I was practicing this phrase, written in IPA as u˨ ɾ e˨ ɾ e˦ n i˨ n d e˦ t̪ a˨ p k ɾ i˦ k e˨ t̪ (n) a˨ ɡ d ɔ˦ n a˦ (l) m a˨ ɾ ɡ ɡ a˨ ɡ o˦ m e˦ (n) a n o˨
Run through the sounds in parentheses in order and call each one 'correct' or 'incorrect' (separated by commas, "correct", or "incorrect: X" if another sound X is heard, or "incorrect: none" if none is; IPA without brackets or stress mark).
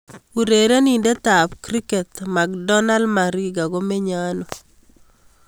incorrect: m, correct, incorrect: ɲ